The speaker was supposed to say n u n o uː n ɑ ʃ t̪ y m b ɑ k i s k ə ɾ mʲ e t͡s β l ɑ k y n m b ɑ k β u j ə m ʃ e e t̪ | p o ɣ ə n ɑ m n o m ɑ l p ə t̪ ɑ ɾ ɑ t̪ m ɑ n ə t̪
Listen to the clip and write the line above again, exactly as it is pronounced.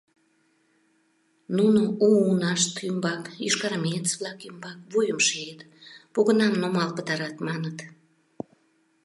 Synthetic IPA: n u n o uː n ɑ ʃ t̪ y m b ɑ k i ʃ k ɑ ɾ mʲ e t͡s β l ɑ k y m b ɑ k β u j ə m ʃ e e t̪ | p o ɣ ə n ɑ m n o m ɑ l p ə t̪ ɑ ɾ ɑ t̪ m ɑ n ə t̪